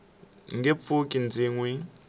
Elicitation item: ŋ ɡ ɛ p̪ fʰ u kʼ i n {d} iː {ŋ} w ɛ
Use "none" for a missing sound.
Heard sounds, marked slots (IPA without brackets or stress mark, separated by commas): d͡z, ŋ